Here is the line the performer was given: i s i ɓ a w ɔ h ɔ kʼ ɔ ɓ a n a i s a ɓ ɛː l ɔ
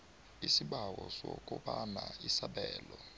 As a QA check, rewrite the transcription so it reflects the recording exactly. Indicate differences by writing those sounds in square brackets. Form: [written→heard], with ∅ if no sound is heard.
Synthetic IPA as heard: i s i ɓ a w ɔ [h→s] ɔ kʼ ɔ ɓ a n a i s a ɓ ɛː l ɔ